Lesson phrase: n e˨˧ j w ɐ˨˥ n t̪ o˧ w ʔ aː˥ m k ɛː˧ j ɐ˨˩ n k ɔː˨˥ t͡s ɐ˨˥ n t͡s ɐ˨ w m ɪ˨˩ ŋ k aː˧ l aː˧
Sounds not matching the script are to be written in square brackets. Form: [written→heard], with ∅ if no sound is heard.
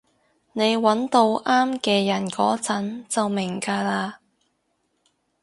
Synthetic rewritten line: n e˨˧ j w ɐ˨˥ n t̪ o˧ w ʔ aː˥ m k ɛː˧ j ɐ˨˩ n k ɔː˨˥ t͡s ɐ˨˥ n t͡s ɐ˨ w m ɪ˨˩ ŋ k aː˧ l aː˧